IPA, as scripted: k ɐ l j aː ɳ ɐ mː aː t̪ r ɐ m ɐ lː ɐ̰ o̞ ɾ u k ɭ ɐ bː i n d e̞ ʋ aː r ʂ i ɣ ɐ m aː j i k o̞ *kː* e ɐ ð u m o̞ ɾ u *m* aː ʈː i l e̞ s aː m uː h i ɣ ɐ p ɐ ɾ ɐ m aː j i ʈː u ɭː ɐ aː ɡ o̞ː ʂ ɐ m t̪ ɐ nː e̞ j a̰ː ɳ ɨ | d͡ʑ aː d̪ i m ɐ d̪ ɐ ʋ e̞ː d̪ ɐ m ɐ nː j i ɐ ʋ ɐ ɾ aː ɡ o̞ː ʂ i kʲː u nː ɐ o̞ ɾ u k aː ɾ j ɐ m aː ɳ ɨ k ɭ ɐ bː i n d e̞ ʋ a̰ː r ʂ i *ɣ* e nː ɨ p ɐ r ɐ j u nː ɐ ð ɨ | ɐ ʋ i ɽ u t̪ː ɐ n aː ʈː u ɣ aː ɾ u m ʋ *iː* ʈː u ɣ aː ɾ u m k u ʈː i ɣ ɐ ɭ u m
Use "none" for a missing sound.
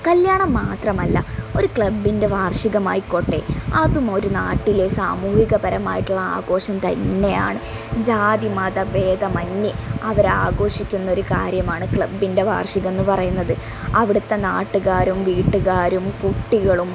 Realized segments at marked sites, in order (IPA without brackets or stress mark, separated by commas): ʈː, n, ɣ, iː